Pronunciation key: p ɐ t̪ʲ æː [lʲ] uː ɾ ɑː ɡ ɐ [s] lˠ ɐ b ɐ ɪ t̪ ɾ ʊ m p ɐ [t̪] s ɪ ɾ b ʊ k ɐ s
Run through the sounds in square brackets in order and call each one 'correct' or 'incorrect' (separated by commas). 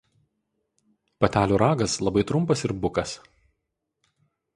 correct, correct, incorrect